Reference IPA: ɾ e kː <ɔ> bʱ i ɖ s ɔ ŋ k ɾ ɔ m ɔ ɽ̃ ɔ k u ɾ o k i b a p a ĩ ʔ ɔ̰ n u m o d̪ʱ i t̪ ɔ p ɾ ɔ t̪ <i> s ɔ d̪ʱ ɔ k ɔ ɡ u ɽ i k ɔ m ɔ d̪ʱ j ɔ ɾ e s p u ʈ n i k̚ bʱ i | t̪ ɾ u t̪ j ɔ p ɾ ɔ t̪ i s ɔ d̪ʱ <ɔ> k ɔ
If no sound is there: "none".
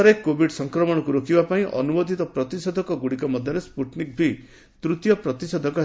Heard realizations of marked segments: o, i, ɔ

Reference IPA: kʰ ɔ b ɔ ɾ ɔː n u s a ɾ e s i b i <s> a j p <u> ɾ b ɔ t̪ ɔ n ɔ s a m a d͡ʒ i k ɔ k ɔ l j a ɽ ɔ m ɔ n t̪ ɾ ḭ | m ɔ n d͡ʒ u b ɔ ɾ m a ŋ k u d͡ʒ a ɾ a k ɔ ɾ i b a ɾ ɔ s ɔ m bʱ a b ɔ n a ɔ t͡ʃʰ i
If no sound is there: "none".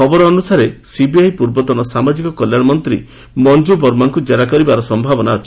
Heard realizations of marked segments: none, u

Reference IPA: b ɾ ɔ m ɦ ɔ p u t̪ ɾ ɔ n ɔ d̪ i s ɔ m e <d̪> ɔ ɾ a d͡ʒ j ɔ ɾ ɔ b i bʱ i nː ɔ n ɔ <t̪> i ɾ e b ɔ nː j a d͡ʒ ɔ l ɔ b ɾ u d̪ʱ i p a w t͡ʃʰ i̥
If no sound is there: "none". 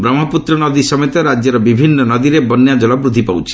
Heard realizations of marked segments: t̪, d̪

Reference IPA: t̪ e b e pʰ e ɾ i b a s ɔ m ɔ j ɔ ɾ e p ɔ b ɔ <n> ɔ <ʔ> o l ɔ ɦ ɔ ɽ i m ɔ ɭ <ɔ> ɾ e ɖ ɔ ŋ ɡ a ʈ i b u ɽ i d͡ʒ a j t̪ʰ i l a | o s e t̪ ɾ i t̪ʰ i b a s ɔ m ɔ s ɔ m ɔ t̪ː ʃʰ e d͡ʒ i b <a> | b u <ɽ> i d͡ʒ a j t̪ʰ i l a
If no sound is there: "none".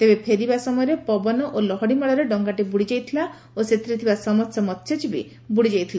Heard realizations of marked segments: n, ʔ, ɔ, i, ɽ

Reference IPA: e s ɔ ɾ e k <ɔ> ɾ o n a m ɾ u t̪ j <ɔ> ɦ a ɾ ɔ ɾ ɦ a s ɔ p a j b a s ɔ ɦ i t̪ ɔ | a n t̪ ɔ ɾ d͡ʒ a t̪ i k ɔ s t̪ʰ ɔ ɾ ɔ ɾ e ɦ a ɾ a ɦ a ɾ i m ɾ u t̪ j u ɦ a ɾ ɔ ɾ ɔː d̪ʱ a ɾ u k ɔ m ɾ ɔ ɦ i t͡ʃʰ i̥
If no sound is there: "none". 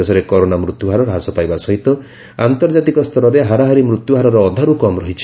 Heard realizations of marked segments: ɔ, u

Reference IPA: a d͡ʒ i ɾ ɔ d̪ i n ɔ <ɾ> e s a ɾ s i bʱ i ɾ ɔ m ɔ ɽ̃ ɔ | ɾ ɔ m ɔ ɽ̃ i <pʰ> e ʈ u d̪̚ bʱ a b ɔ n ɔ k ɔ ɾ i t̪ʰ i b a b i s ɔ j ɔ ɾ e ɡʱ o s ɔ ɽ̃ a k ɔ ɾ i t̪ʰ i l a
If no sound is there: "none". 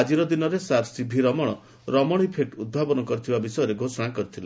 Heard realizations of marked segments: ɾ, pʰ

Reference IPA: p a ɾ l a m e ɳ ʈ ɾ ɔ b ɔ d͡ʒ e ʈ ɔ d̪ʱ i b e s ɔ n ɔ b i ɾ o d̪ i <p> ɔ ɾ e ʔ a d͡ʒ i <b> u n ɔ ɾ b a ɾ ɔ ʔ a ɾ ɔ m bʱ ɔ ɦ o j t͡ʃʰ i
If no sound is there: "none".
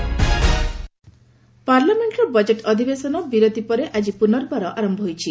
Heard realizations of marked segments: p, p

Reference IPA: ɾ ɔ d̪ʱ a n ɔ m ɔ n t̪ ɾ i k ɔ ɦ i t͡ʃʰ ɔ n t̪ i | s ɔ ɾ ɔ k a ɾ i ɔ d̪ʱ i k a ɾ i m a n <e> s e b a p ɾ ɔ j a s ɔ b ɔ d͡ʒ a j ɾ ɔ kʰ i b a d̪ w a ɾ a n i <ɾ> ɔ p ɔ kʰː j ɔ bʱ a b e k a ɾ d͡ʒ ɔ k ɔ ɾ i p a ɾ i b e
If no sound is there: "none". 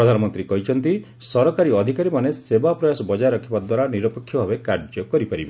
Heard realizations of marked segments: e, ɾ

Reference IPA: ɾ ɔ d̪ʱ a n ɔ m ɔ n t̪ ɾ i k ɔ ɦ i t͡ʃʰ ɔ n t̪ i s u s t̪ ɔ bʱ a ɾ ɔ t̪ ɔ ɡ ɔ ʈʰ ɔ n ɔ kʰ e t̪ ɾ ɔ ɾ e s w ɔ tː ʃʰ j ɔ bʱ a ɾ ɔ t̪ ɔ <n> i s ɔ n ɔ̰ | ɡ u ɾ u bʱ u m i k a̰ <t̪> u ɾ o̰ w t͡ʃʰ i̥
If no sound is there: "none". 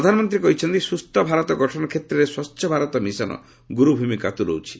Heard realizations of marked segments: m, t̪

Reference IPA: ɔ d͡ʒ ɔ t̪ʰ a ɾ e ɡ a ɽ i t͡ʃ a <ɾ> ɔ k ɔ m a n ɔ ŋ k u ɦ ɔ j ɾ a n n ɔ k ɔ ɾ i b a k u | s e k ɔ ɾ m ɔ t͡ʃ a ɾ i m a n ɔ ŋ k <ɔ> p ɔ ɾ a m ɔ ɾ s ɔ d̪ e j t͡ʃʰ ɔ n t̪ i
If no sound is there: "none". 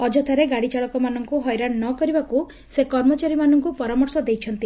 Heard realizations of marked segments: ɭ, u

